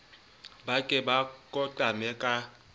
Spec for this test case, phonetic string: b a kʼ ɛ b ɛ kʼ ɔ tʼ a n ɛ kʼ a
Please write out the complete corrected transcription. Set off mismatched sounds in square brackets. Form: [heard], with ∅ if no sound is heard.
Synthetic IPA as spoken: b a kʼ ɛ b [a] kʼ ɔ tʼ a [m] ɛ kʼ a

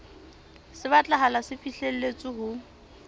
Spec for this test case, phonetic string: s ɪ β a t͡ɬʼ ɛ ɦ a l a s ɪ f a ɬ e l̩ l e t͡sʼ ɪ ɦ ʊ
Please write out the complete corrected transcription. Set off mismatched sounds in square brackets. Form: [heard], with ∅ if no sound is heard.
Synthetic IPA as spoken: s ɪ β a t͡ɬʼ [a] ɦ a l a s ɪ f [i] ɬ e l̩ l e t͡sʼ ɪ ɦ ʊ

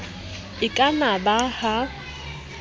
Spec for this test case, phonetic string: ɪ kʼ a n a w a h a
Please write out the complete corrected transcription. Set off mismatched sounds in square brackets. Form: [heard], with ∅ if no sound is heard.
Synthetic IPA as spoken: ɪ kʼ a n a [b] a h a

